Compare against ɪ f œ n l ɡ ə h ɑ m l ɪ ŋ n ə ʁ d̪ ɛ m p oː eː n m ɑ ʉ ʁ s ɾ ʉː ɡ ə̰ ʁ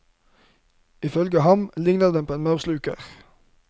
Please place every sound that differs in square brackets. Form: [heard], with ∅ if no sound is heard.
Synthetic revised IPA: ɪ f œ [∅] l ɡ ə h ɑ m l ɪ ŋ n ə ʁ d̪ ɛ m p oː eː n m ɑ ʉ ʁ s [l] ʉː [k] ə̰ ʁ

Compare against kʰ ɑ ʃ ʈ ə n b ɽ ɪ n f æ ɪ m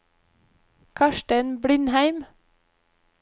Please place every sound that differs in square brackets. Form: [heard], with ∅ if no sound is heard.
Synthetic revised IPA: kʰ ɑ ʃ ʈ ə n b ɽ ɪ n [h] æ ɪ m

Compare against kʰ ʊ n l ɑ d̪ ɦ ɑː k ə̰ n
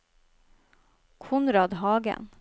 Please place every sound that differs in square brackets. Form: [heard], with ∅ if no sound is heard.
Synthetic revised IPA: kʰ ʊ n [ɾ] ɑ d̪ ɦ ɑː [ɡ] ə̰ n

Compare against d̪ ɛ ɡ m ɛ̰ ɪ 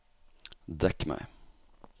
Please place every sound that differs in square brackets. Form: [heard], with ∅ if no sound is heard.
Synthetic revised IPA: d̪ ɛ [k] m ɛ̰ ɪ

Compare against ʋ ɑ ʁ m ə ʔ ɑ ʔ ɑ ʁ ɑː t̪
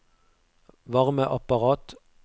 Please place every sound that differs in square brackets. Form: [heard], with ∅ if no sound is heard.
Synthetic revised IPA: ʋ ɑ ʁ m ə ʔ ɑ [p] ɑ ʁ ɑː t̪

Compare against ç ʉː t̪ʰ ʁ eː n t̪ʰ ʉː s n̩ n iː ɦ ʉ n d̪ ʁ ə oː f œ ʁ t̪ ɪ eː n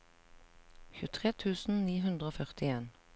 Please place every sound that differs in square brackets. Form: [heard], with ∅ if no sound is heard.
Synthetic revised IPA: ç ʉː t̪ʰ ʁ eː [∅] t̪ʰ ʉː s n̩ n iː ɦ ʉ n d̪ ʁ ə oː f œ ʁ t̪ ɪ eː n

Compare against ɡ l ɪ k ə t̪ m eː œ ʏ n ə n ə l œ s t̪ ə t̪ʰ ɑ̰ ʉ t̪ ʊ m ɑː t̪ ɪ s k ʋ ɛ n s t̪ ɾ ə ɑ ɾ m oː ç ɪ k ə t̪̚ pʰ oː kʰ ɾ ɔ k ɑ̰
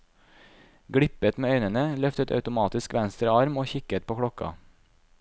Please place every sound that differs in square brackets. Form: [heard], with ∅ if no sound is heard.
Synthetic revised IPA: ɡ [ɽ] ɪ [p] ə t̪ m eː œ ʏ n ə n ə l œ [f] t̪ ə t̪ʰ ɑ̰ ʉ t̪ ʊ m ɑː t̪ ɪ s k ʋ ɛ n s t̪ ɾ ə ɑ ɾ m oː ç ɪ k ə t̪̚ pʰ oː kʰ [ɽ] ɔ k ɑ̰

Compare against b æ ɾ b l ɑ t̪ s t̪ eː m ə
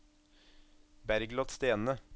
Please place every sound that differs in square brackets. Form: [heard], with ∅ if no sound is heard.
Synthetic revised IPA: b æ ɾ [ɡ] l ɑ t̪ s t̪ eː [n] ə

